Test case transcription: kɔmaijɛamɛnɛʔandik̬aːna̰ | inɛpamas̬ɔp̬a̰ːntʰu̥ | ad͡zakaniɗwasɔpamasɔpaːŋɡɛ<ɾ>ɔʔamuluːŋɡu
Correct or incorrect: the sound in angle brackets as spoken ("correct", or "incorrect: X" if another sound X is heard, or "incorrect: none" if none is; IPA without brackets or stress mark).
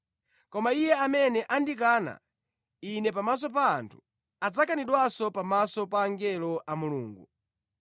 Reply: incorrect: l